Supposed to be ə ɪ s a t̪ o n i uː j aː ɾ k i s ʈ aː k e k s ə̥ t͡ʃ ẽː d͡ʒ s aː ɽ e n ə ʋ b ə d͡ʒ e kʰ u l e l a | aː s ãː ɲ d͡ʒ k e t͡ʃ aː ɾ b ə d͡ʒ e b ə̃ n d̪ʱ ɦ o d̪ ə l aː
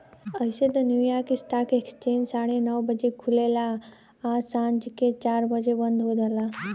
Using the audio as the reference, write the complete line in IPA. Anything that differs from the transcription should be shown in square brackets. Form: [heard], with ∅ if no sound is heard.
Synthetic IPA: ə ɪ s [e] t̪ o n [j] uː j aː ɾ k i s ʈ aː k e k s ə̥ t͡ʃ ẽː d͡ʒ s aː ɽ e n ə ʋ b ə d͡ʒ e kʰ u l e l a | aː s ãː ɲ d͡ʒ k e t͡ʃ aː ɾ b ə d͡ʒ e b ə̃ n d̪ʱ ɦ o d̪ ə l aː